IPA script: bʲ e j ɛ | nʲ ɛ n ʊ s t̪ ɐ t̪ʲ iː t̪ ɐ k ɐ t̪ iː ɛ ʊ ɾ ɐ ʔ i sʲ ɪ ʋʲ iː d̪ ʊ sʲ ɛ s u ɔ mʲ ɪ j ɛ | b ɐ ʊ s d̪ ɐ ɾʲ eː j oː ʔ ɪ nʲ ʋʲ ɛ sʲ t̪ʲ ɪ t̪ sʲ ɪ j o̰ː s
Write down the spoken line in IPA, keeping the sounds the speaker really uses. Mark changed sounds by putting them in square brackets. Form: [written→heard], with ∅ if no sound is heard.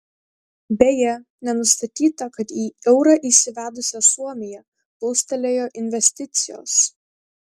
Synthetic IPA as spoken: bʲ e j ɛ | nʲ ɛ n ʊ s t̪ ɐ t̪ʲ iː t̪ ɐ k ɐ t̪ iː ɛ ʊ ɾ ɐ ʔ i sʲ ɪ ʋʲ [iː→æː] d̪ ʊ sʲ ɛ s u ɔ mʲ ɪ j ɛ | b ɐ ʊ s [d̪→t̪] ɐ [ɾʲ→lʲ] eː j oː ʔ ɪ nʲ ʋʲ ɛ sʲ t̪ʲ ɪ t̪ sʲ ɪ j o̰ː s